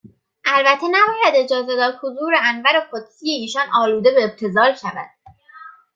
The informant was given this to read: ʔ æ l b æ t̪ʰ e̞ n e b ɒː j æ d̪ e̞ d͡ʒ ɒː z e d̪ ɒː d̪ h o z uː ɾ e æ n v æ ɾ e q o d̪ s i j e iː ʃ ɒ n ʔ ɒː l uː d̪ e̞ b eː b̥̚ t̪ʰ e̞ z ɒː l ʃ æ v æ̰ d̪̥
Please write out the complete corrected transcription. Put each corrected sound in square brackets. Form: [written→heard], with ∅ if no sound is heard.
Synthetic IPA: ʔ æ l b æ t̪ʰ e̞ n [e→æ] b ɒː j æ d̪ e̞ d͡ʒ ɒː z e d̪ ɒː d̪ h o z uː ɾ e æ n v æ ɾ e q o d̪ s i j e iː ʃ ɒ n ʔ ɒː l uː d̪ e̞ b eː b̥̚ t̪ʰ e̞ z ɒː l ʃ æ v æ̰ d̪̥

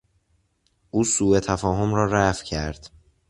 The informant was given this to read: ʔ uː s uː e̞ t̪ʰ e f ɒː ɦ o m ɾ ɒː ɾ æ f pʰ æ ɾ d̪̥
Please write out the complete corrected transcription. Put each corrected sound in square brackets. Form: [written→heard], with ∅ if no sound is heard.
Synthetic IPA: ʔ uː s uː e̞ t̪ʰ [e→æ] f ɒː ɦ o m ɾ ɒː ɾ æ f [pʰ→cʰ] æ ɾ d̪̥

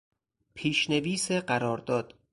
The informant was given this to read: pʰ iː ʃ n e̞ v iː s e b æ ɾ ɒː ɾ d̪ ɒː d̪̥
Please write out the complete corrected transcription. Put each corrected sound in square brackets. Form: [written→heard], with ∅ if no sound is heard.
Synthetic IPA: pʰ iː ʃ n e̞ v iː s e [b→ɢ] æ ɾ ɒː ɾ d̪ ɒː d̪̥

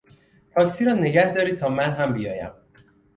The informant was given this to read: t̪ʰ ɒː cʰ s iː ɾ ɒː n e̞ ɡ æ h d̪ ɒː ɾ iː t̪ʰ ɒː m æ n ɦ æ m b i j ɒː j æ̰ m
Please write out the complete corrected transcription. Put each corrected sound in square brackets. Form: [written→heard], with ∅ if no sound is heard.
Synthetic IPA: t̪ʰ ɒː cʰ s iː ɾ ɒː n e̞ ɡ æ h d̪ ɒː ɾ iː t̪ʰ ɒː m æ n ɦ æ m b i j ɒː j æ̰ m

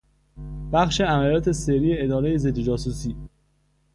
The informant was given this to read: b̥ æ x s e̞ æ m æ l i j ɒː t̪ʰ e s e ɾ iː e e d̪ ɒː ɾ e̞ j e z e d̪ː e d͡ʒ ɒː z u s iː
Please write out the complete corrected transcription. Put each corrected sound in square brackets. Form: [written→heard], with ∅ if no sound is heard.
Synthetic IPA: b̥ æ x [s→ʃ] e̞ æ m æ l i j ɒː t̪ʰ e s e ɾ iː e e d̪ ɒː ɾ e̞ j e z e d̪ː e d͡ʒ ɒː [z→s] u s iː

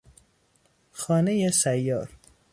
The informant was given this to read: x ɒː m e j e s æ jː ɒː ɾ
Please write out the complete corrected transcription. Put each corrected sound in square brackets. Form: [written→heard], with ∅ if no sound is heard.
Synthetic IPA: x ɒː [m→n] e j e s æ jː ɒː ɾ

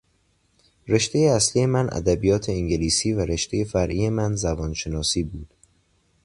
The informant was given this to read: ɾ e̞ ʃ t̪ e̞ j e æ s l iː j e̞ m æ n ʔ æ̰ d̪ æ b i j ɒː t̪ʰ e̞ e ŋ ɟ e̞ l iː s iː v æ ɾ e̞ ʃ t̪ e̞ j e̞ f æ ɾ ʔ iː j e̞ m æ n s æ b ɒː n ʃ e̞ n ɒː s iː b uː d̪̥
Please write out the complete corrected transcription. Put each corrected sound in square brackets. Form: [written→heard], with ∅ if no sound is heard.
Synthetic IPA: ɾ e̞ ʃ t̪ e̞ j e æ s l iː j e̞ m æ n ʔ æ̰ d̪ æ b i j ɒː t̪ʰ e̞ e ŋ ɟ e̞ l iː s iː v æ ɾ e̞ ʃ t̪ e̞ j e̞ f æ ɾ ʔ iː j e̞ m æ n [s→z] æ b ɒː n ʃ e̞ n ɒː s iː b uː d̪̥

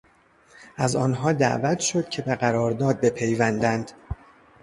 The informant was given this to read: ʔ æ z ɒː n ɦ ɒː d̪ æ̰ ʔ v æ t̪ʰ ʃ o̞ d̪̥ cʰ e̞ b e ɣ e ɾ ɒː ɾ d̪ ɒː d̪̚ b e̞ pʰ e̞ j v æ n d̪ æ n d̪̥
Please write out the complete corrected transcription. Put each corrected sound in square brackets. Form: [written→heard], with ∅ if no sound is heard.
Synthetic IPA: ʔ æ z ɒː n ɦ ɒː d̪ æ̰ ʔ v æ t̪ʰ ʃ o̞ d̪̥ cʰ e̞ b e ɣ [e→æ] ɾ ɒː ɾ d̪ ɒː d̪̚ b e̞ pʰ e̞ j v æ n d̪ æ n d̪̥

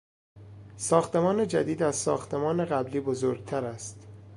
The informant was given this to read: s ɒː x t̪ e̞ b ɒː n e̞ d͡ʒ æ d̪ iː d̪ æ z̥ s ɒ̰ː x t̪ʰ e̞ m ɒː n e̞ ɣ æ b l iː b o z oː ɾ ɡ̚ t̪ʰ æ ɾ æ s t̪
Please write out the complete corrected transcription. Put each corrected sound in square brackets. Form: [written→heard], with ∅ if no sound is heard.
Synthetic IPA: s ɒː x t̪ e̞ [b→m] ɒː n e̞ d͡ʒ æ d̪ iː d̪ æ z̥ s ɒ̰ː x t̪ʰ e̞ m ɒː n e̞ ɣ æ b l iː b o z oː ɾ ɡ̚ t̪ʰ æ ɾ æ s t̪

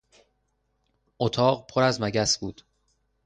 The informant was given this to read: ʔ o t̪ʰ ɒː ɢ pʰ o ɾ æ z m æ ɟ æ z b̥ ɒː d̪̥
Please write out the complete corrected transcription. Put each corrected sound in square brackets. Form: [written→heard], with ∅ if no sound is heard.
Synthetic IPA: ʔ o t̪ʰ ɒː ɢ pʰ o ɾ æ z m æ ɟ æ [z→s] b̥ [ɒː→uː] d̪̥

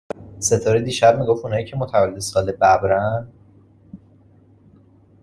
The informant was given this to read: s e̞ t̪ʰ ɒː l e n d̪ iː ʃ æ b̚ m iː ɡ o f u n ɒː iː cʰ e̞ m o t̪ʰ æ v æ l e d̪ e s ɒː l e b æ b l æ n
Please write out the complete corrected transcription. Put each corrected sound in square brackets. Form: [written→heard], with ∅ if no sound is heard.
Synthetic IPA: s e̞ t̪ʰ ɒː [l→ɾ] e [n→∅] d̪ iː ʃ æ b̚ m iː ɡ o f u n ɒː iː cʰ e̞ m o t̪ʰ æ v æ l e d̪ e s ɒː l e b æ b [l→ɾ] æ n

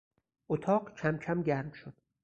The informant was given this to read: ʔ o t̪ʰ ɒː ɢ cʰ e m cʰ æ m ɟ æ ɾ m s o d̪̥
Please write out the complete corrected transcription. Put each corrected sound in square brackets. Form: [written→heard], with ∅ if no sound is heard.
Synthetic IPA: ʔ o t̪ʰ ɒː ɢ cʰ [e→æ] m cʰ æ m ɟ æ ɾ m [s→ʃ] o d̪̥

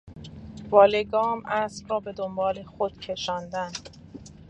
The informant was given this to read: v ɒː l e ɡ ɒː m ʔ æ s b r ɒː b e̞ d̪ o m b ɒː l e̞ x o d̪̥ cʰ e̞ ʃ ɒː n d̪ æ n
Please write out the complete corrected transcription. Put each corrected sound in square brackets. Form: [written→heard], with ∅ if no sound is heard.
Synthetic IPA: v ɒː l e ɡ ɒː m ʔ æ s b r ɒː b e̞ d̪ o m b ɒː l e̞ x o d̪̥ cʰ e̞ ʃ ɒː n d̪ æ n

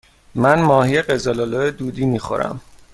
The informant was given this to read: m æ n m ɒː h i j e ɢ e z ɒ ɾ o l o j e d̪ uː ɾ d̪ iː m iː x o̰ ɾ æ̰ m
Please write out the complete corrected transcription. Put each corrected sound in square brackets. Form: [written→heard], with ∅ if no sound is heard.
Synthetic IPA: m æ n m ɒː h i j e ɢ e z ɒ [ɾ→l] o l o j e d̪ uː [ɾ→∅] d̪ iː m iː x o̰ ɾ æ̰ m

